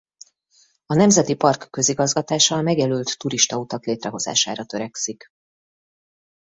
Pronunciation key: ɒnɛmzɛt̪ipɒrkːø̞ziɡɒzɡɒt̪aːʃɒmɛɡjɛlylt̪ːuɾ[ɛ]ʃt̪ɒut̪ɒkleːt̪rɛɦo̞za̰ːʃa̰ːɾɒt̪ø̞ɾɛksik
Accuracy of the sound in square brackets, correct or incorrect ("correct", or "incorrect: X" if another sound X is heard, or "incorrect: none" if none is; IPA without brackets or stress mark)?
incorrect: i